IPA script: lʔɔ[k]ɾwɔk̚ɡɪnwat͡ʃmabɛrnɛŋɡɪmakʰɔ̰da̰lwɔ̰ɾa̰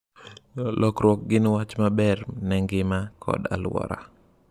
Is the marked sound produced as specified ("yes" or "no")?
yes